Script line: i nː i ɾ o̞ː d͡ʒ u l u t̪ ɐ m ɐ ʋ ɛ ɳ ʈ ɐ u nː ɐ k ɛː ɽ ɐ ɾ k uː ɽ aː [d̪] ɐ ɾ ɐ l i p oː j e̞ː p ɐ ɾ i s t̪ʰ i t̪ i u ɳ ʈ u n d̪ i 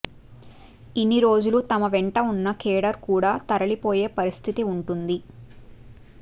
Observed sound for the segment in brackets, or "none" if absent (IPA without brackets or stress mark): t̪